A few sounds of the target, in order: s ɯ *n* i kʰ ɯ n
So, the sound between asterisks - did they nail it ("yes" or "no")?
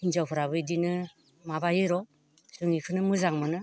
no